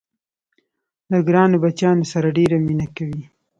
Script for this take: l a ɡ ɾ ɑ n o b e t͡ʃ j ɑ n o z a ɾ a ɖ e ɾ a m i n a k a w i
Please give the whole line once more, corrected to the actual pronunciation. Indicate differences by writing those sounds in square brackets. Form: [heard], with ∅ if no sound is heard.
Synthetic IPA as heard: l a ɡ ɾ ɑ n o b [a] t͡ʃ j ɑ n o [s] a ɾ a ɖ e ɾ a m i n a k a w i

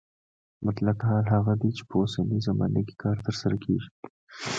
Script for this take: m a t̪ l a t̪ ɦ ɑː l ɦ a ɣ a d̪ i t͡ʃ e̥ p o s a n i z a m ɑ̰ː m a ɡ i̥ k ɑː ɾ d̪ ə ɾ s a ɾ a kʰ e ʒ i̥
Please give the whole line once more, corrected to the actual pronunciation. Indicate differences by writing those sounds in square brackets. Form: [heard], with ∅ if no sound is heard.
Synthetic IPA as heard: m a t̪ l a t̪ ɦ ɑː l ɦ a ɣ a d̪ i t͡ʃ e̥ p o s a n i z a m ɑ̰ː [n] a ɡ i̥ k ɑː ɾ [t̪] ə ɾ s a ɾ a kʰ e ʒ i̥

